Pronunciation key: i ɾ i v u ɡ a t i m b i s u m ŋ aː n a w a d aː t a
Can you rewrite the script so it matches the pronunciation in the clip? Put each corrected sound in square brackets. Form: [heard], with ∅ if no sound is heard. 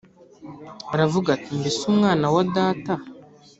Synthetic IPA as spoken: [a] ɾ [a] v u ɡ a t i m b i s u m ŋ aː n a w a d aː t a